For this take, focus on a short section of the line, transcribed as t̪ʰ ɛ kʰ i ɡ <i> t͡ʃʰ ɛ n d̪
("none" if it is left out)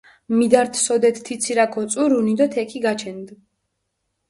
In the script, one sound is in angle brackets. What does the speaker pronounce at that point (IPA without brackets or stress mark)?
a